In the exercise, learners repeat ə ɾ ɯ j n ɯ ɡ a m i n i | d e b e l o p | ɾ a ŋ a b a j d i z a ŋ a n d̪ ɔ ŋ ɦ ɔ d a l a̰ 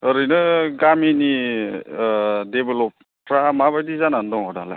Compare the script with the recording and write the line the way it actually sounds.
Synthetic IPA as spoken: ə ɾ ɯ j n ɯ ɡ a m i n i | d e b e l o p | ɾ a m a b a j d i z a n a n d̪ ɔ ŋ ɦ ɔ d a l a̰

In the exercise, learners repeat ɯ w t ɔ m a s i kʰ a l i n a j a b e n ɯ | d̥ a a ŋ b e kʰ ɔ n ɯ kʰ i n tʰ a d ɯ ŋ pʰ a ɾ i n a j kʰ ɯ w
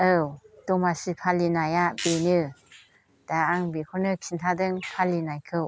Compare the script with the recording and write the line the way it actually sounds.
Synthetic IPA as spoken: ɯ w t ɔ m a s i pʰ a l i n a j a b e n ɯ | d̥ a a ŋ b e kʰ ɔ n ɯ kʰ i n tʰ a d ɯ ŋ pʰ a l i n a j kʰ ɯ w

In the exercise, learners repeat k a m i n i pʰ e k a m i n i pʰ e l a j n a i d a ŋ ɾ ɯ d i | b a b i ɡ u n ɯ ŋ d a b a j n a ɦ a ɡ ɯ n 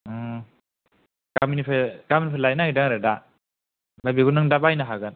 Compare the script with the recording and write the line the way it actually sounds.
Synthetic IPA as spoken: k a m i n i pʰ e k a m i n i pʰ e l a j n a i d a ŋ ɾ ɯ d a | b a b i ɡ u n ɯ ŋ d a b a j n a ɦ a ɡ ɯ n

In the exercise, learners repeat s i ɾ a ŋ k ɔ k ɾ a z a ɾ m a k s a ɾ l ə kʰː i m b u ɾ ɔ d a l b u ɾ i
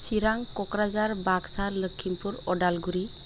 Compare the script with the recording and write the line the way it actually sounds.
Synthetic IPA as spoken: s i ɾ a ŋ k ɔ k ɾ a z a ɾ b a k s a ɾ l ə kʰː i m p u ɾ ɔ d a l ɡ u ɾ i

